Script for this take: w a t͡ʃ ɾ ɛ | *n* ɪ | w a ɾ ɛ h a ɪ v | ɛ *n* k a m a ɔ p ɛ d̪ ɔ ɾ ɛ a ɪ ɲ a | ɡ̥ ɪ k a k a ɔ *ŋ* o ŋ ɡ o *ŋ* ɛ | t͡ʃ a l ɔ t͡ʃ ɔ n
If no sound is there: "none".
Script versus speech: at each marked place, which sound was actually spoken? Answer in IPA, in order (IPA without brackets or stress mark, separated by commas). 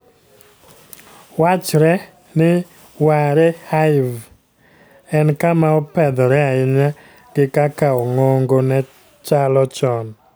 n, n, ŋ, n